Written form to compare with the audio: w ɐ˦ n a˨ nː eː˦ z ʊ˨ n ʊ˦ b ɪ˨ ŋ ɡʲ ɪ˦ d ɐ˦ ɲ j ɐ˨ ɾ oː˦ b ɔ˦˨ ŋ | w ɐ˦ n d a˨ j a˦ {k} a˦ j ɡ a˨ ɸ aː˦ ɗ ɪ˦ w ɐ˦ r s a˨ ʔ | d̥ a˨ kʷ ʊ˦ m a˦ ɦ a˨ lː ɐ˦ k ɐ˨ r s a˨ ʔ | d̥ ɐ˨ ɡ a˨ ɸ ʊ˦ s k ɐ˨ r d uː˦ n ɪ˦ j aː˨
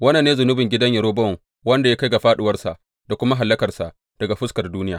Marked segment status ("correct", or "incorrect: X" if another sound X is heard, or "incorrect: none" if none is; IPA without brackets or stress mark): correct